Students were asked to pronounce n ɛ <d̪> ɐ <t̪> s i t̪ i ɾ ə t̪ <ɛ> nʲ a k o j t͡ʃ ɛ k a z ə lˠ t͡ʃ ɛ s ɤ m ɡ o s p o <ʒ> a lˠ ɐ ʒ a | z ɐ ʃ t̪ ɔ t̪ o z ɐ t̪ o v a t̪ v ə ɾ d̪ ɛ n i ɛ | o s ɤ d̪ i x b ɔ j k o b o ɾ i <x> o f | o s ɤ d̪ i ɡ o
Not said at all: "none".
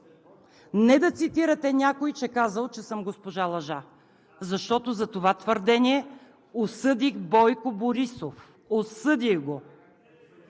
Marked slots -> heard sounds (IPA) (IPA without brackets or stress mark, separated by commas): d̪, t̪, ɛ, ʒ, s